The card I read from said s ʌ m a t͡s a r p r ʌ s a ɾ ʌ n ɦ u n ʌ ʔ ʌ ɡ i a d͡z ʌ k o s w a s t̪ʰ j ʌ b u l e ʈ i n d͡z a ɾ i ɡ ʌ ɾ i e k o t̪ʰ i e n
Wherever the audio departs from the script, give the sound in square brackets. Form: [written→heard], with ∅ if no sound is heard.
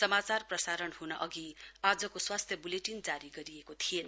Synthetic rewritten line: s ʌ m a t͡s a r p r ʌ s a ɾ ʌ n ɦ u n ʌ ʔ ʌ ɡ i a d͡z ʌ k o s w a s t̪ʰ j ʌ b u l e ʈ i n d͡z a ɾ i ɡ ʌ ɾ i e k o t̪ʰ i e n

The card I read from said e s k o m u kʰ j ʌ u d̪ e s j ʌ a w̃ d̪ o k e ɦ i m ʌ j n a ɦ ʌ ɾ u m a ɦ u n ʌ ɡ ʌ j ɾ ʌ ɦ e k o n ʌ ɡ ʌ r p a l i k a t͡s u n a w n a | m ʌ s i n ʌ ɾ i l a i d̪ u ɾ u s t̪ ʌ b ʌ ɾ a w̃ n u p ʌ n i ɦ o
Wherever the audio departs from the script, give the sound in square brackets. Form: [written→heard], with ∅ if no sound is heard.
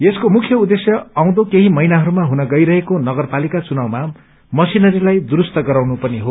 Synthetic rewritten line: e s k o m u kʰ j ʌ u d̪ e s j ʌ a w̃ d̪ o k e ɦ i m ʌ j n a ɦ ʌ ɾ u m a ɦ u n ʌ ɡ ʌ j ɾ ʌ ɦ e k o n ʌ ɡ ʌ r p a l i k a t͡s u n a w [n→m] a | m ʌ s i n ʌ ɾ i l a [i→j] d̪ u ɾ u s t̪ ʌ [b→ɡ] ʌ ɾ a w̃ n u p ʌ n i ɦ o

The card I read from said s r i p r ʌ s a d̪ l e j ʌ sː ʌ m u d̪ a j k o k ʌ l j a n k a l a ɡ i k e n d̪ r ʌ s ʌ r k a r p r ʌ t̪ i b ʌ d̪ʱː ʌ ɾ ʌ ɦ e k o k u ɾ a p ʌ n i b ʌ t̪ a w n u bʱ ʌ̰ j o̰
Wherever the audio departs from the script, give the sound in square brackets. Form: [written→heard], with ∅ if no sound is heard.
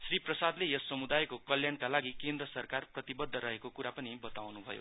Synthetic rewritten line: s r i p r ʌ s a d̪ l e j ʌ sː ʌ m u d̪ a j k o k ʌ l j a n k a l a ɡ i k e n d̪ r ʌ s ʌ r k a r p r ʌ t̪ i b ʌ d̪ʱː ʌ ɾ ʌ ɦ e k o k u ɾ a p ʌ n i b ʌ t̪ a w n u bʱ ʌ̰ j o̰

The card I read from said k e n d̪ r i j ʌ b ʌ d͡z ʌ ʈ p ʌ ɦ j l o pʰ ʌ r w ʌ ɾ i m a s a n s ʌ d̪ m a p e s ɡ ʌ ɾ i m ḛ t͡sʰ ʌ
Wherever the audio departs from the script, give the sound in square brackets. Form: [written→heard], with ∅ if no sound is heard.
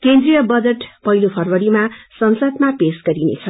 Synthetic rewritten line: k e n d̪ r i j ʌ b ʌ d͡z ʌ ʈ p ʌ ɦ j l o pʰ ʌ r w ʌ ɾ i m a s [a→ʌ] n s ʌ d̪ m a p e s ɡ ʌ ɾ i [m→n] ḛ t͡sʰ ʌ

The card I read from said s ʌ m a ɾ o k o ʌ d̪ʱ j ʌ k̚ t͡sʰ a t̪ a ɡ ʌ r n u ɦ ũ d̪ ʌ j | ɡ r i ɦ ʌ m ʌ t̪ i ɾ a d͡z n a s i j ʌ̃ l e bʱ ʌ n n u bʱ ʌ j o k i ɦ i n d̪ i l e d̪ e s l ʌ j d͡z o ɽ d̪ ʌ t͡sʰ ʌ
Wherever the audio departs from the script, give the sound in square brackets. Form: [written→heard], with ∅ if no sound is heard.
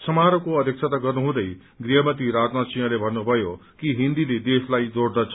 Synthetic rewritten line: s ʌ m a ɾ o k o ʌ d̪ʱ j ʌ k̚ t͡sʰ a t̪ a ɡ ʌ r n u ɦ ũ d̪ ʌ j | ɡ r i ɦ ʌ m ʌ t̪ i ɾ a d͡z n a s i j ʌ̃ l e bʱ ʌ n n u bʱ ʌ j o k i ɦ i n d̪ i l e d̪ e s l [ʌ→a] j d͡z o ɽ d̪ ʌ t͡sʰ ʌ

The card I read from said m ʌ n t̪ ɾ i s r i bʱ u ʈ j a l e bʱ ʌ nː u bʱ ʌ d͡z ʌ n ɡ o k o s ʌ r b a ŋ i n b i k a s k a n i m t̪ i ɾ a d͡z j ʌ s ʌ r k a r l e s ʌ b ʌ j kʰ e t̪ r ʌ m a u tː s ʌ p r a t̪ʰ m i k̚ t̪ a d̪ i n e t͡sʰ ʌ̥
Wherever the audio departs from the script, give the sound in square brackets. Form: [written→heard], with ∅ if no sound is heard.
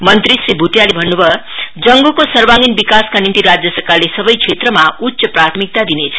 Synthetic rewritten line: m ʌ n t̪ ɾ i s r i bʱ u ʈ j a l e bʱ ʌ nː u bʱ ʌ d͡z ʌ [n→ŋ] ɡ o k o s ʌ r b a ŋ i n b i k a s k a n i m t̪ i ɾ a d͡z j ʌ s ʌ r k a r l e s ʌ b ʌ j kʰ e t̪ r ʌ m a u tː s ʌ p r a t̪ʰ m i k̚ t̪ a d̪ i n e t͡sʰ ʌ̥

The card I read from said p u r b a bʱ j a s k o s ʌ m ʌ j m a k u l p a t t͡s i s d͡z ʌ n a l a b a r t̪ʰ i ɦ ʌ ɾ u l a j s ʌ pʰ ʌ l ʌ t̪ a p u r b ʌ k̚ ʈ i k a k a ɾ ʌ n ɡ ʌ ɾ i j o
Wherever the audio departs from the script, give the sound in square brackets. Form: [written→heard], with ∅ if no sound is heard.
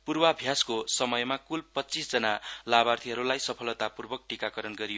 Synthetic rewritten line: p u r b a bʱ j a s k o s ʌ m ʌ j m a k u l p [a→ʌ] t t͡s i s d͡z ʌ n a l a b a r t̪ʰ i ɦ ʌ ɾ u l a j s ʌ pʰ ʌ l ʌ t̪ a p u r b ʌ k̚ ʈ i k a k [a→ʌ] ɾ ʌ n ɡ ʌ ɾ i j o

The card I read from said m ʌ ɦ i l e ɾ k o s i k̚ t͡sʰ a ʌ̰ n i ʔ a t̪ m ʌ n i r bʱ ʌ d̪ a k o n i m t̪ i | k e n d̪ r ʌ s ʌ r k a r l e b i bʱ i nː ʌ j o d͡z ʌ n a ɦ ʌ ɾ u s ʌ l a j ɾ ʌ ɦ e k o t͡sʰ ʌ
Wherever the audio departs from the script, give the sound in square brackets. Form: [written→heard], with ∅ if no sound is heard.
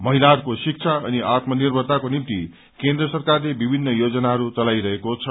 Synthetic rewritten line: m ʌ ɦ i l [e→a] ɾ k o s i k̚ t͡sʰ a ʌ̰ n i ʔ a t̪ m ʌ n i r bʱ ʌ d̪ a k o n i m t̪ i | k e n d̪ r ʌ s ʌ r k a r l e b i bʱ i nː ʌ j o d͡z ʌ n a ɦ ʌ ɾ u [s→t͡s] ʌ l a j ɾ ʌ ɦ e k o t͡sʰ ʌ

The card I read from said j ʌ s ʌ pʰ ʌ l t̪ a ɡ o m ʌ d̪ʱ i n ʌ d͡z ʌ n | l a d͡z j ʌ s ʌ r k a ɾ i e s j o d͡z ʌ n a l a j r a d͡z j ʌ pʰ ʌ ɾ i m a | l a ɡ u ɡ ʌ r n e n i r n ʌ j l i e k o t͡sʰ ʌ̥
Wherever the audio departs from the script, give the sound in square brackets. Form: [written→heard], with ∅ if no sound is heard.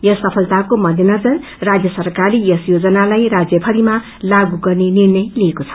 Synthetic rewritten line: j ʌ s ʌ pʰ ʌ l t̪ a [ɡ→k] o m ʌ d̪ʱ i n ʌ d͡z ʌ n | [l→r] a d͡z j ʌ s ʌ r k a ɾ i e s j o d͡z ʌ n a l a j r a d͡z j ʌ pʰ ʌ ɾ i m a | l a ɡ u ɡ ʌ r n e n i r n ʌ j l i e k o t͡sʰ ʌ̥

